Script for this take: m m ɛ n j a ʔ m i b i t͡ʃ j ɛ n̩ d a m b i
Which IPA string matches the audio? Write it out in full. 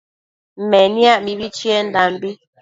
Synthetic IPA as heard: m m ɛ n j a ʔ m i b i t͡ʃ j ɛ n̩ d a m b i